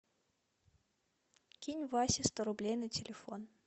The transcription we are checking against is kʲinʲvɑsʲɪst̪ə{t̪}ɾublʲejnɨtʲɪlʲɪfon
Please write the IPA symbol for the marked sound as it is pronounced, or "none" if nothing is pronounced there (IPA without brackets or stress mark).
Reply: none